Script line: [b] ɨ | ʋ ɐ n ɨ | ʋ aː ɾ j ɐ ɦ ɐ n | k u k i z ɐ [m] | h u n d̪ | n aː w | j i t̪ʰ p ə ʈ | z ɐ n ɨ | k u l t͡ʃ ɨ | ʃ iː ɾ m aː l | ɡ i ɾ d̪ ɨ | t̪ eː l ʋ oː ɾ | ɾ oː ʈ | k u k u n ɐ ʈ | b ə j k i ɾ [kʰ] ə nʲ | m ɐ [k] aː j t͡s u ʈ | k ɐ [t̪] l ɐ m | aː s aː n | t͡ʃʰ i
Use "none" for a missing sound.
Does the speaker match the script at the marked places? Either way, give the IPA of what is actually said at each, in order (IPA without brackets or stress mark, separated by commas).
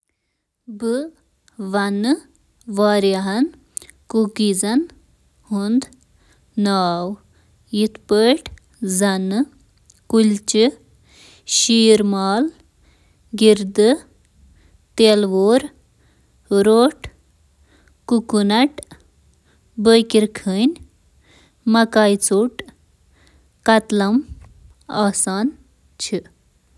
b, n, kʰ, k, t̪